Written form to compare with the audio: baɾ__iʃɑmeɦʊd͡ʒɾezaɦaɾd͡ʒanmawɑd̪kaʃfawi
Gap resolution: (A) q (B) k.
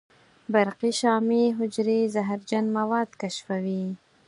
A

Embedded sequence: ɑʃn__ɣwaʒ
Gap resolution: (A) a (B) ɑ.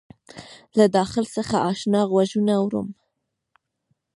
B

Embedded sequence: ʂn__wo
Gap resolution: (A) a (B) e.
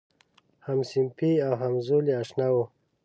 A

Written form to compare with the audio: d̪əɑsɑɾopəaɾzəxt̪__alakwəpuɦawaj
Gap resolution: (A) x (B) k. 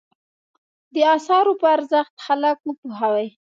A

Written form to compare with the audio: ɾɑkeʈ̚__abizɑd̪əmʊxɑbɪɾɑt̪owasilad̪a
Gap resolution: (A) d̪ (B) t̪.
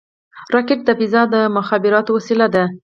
A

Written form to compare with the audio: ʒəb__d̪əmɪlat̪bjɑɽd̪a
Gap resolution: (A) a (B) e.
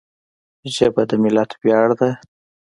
A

